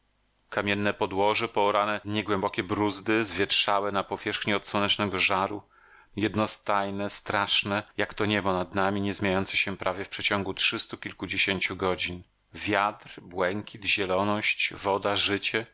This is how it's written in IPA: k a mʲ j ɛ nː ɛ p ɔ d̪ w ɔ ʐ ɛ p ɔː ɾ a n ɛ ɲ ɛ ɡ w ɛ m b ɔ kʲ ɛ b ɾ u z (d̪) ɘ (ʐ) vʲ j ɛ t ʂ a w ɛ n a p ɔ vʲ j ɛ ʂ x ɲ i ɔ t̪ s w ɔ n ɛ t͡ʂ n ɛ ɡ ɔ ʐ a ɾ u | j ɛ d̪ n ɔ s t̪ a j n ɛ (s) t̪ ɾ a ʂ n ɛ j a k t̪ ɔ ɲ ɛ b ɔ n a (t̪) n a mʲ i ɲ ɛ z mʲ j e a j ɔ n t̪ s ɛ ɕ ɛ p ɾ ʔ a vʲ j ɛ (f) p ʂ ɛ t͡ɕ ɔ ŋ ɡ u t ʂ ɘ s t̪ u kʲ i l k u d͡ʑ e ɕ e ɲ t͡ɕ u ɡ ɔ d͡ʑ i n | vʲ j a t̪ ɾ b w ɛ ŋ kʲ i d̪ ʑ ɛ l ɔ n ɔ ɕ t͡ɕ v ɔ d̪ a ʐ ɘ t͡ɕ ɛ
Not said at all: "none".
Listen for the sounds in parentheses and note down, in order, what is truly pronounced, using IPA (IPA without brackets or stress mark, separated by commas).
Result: d̪, z, s, d̪, f